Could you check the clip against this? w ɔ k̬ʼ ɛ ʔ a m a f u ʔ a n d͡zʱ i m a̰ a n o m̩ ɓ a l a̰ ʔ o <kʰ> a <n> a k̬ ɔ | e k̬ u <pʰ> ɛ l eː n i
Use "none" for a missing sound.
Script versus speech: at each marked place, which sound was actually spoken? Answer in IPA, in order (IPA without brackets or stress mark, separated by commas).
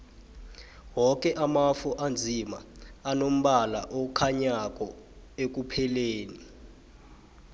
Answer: kʰ, ɲ, pʰ